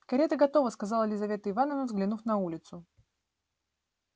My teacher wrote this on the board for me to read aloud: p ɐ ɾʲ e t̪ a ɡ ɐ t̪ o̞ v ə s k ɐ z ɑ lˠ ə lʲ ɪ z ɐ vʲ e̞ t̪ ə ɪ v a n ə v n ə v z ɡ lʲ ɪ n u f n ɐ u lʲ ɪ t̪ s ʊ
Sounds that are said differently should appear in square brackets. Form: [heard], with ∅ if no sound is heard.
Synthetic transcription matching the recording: [k] ɐ ɾʲ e t̪ [ə] ɡ ɐ t̪ o̞ v ə s k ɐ z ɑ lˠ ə lʲ ɪ z ɐ vʲ e̞ t̪ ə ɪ v a n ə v n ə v z ɡ lʲ ɪ n u f n ɐ u lʲ ɪ t̪ s ʊ